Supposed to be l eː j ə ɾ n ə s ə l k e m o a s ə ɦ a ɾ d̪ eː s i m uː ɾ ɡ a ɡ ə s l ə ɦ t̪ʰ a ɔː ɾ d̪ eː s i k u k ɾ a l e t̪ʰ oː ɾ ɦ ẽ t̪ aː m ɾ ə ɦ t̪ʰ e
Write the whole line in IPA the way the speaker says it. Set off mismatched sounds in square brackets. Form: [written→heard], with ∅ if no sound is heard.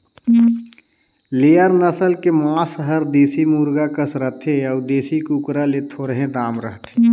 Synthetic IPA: l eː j ə ɾ n ə s ə l k e m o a s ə ɦ [a→ə] ɾ d̪ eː s i m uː ɾ ɡ a [ɡ→k] ə s [l→ɾ] ə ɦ t̪ʰ [a→e] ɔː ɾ d̪ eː s i k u k ɾ a l e t̪ʰ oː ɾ ɦ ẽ [t̪→d̪] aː m ɾ ə ɦ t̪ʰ e

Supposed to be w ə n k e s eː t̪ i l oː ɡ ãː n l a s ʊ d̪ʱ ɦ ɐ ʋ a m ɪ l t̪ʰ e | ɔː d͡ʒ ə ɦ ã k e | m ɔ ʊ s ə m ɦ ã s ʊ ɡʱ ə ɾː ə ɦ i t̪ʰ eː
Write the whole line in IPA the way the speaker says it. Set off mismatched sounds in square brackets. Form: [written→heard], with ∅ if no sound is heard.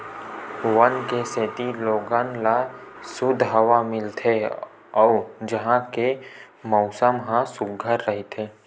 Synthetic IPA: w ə n k e s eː t̪ i l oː ɡ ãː n l a s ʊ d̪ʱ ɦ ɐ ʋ a m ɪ l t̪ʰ e | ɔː d͡ʒ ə ɦ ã k e | m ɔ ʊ s ə m ɦ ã s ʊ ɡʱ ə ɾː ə ɦ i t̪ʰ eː

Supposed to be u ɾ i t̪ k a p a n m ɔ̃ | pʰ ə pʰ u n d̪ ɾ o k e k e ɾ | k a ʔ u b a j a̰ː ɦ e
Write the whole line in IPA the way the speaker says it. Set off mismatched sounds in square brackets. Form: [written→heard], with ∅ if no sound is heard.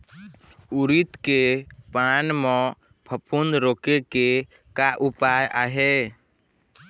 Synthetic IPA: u ɾ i t̪ k [a→e] p a n m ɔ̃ | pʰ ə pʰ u n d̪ ɾ o k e k e [ɾ→∅] | k a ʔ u [b→p] a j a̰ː ɦ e

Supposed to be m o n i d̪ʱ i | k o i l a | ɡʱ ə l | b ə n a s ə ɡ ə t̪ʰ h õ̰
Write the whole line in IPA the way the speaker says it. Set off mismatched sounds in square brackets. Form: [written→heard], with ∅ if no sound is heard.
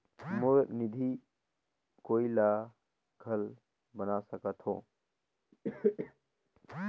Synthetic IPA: m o n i d̪ʱ i | k o i l a | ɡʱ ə l | b ə n a s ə [ɡ→k] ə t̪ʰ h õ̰

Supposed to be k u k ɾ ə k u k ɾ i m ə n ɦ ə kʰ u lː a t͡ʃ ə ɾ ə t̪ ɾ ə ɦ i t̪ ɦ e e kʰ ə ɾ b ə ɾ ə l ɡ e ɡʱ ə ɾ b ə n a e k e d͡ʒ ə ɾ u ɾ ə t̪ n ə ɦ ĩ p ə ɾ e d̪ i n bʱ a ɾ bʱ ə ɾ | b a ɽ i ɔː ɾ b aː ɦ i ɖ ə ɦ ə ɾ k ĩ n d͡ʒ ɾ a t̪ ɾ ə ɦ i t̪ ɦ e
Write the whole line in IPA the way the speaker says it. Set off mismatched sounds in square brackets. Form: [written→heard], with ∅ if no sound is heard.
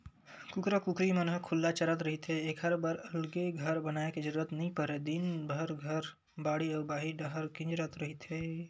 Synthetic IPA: k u k ɾ ə k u k ɾ i m ə n ɦ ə kʰ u lː a t͡ʃ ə ɾ ə t̪ ɾ ə ɦ i t̪ ɦ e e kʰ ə ɾ b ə ɾ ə l ɡ e ɡʱ ə ɾ b ə n a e k e d͡ʒ ə ɾ u ɾ ə t̪ n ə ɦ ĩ p ə ɾ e d̪ i n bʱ [a→ə] ɾ [bʱ→ɡʱ] ə ɾ | b a ɽ i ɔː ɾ b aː ɦ i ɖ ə ɦ ə ɾ k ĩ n d͡ʒ ɾ [a→ə] t̪ ɾ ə ɦ i t̪ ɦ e

